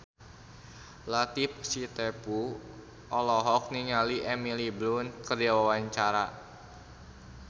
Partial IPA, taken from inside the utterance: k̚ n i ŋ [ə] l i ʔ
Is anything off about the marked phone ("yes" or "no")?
yes